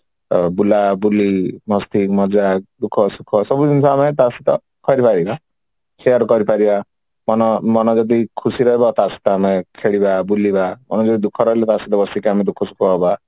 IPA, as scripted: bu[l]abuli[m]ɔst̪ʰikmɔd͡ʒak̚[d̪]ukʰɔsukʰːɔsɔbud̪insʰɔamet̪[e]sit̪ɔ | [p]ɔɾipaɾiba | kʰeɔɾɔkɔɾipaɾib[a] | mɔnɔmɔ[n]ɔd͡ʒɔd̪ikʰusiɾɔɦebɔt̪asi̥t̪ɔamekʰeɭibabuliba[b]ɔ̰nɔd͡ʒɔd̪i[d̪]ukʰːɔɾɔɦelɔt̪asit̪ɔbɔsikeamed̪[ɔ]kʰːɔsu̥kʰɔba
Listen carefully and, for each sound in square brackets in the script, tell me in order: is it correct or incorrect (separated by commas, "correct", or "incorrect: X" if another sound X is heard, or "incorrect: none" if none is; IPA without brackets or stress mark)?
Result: correct, correct, correct, incorrect: a, incorrect: k, correct, correct, incorrect: m, correct, incorrect: u